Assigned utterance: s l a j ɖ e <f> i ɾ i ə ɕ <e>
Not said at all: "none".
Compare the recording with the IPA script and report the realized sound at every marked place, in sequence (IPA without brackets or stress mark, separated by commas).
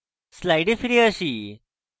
f, i